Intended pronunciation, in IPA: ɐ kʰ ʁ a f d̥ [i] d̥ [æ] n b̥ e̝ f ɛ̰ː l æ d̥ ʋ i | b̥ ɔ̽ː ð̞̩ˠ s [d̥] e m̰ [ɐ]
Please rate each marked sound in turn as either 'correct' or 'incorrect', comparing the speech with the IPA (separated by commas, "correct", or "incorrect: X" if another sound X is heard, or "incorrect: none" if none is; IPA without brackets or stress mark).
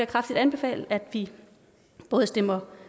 correct, correct, correct, correct